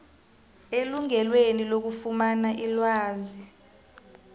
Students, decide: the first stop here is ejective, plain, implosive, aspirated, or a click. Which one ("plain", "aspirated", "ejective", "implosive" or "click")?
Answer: plain